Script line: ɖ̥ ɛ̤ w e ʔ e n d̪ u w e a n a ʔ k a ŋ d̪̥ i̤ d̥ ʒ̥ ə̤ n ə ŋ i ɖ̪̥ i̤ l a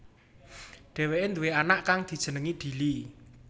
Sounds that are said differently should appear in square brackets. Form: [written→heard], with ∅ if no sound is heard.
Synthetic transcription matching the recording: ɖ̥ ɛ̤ w e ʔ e n d̪ u w e a n a ʔ k a ŋ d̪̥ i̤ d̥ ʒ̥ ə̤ n ə ŋ i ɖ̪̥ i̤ l [a→i]

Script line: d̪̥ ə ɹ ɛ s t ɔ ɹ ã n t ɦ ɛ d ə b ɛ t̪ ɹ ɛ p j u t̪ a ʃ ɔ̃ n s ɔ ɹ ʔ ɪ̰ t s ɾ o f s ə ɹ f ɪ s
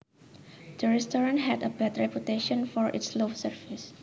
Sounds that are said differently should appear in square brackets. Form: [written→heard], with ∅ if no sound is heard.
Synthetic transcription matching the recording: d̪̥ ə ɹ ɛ s t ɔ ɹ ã n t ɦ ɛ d ə b ɛ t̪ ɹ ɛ p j u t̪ [a→e] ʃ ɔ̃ n [s→f] ɔ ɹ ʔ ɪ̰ t s [ɾ→l] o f s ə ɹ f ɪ s

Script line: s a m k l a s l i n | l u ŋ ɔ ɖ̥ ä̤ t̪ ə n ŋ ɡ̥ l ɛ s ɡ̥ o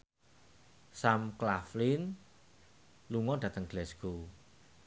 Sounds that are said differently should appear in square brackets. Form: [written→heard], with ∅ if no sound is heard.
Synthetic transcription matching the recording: s a m k l a [s→f] l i n | l u ŋ ɔ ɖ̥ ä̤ t̪ ə [n→∅] ŋ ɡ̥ l ɛ s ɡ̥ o

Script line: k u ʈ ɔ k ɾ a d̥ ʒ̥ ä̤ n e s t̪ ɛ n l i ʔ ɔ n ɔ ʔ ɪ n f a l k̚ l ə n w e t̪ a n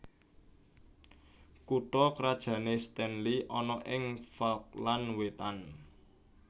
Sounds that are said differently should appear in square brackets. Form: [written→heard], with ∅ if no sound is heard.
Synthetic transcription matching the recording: k u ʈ ɔ k ɾ a d̥ ʒ̥ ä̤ n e s t̪ ɛ n l i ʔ ɔ n ɔ ʔ ɪ [n→ŋ] f a l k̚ l [ə→a] n w e t̪ a n

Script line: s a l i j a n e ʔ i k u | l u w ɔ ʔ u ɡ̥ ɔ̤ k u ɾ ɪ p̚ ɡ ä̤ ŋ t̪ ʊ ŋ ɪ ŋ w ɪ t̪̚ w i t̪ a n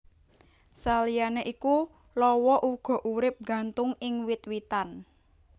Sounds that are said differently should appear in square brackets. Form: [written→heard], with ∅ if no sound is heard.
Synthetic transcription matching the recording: s a l i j a n e ʔ i k u | l [u→ɔ] w ɔ ʔ u ɡ̥ ɔ̤ [k→ʔ] u ɾ ɪ p̚ ɡ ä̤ [ŋ→n] t̪ ʊ ŋ ɪ ŋ w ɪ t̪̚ w i t̪ a n

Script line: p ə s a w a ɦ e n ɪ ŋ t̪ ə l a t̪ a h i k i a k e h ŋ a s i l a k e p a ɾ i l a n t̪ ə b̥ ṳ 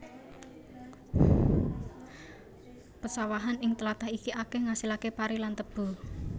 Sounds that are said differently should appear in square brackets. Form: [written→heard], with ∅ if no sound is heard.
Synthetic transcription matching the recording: p ə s a w a ɦ [e→a] n ɪ ŋ t̪ ə l a t̪ a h i k i a k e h ŋ a s i l a k e p a ɾ i l a n t̪ ə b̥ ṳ

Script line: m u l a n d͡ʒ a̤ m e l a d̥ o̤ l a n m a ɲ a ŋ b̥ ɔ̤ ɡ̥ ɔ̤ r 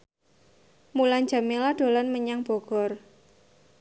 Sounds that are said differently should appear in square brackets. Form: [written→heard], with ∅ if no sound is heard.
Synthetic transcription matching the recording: m u l a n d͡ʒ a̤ m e l a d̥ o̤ l a n m [a→ə] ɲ a ŋ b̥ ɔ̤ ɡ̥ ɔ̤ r

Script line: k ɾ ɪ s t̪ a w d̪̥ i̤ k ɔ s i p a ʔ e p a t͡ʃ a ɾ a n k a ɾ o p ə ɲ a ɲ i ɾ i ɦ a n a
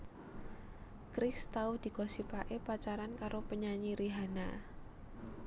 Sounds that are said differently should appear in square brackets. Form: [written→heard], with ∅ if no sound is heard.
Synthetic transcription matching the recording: k ɾ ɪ s t̪ a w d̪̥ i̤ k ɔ s i p a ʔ e p a t͡ʃ a ɾ a n k a ɾ o p ə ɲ a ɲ i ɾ i ɦ a n a

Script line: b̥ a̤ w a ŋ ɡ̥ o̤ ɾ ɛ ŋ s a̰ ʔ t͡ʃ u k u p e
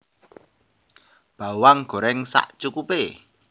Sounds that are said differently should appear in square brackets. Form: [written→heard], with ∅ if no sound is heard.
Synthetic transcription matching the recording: b̥ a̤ w a ŋ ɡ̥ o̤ ɾ ɛ ŋ s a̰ ʔ t͡ʃ u k u p e

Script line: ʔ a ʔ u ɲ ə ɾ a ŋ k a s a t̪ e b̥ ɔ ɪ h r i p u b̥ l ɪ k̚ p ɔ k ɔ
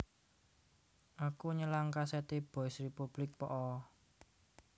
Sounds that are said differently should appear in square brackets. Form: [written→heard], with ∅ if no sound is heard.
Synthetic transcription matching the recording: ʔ a [ʔ→k] u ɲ ə [ɾ→l] a ŋ k a s [a→ɛ] t̪ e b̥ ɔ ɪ [h→s] r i p u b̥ l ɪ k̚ p ɔ [k→ʔ] ɔ

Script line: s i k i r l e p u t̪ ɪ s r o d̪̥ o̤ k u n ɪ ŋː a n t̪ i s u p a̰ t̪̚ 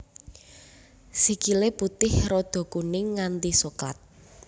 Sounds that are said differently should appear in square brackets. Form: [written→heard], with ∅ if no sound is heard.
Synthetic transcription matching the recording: s i k i [r→∅] l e p u t̪ ɪ [s→h] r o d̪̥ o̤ k u n ɪ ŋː a n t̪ i s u [p→k] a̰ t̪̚

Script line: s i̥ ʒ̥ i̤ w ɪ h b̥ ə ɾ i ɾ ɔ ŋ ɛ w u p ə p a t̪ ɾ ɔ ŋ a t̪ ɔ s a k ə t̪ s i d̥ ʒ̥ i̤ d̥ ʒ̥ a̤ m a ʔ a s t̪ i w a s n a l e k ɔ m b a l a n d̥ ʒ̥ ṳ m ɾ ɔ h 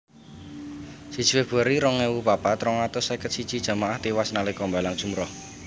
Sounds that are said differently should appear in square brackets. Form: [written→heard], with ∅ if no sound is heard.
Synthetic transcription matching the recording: s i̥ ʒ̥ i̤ w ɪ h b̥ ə ɾ i ɾ ɔ ŋ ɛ w u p [ə→a] p a t̪ ɾ ɔ ŋ a t̪ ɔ s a k ə t̪ s i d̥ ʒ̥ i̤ d̥ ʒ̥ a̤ m a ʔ a [s→h] t̪ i w a s n a l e k ɔ m b a l a [n→ŋ] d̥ ʒ̥ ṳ m ɾ ɔ h

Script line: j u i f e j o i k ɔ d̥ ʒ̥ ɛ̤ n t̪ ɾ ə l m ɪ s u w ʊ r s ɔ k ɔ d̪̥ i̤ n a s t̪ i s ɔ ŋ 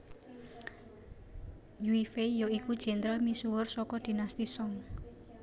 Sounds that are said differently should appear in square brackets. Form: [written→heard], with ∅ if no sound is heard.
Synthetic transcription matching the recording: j u i f e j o i k [ɔ→u] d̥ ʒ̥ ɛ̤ n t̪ ɾ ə l m [ɪ→i] s u w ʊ r s ɔ k ɔ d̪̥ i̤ n a s t̪ i s ɔ ŋ

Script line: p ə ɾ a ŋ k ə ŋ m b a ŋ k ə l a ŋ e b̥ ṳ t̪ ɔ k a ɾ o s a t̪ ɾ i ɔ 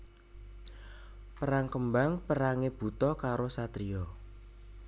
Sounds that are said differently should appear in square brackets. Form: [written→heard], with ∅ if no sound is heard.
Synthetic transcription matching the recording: p ə ɾ a ŋ k ə [ŋ→∅] m b a ŋ [k→p] ə [l→ɾ] a ŋ e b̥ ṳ t̪ ɔ k a ɾ o s a t̪ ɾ i ɔ

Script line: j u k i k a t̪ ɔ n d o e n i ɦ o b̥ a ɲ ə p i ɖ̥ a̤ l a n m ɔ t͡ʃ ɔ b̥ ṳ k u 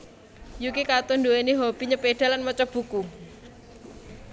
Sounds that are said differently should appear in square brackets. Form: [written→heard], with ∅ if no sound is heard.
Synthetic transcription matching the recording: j u k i k a t̪ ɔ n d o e n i ɦ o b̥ [a→i] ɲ ə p [i→e] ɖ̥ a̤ l a n m ɔ t͡ʃ ɔ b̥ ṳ k u

